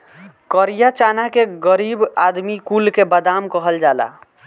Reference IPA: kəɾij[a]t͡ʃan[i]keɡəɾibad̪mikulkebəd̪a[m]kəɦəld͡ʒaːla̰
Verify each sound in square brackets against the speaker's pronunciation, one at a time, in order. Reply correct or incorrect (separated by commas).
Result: correct, incorrect, correct